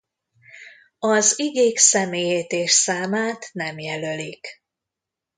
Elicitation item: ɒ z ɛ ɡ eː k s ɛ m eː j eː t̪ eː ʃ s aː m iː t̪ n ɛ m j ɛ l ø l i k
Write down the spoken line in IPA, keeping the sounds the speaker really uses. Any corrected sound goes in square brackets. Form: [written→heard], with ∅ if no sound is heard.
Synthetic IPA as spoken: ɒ z [ɛ→i] ɡ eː k s ɛ m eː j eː t̪ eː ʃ s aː m [iː→aː] t̪ n ɛ m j ɛ l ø l i k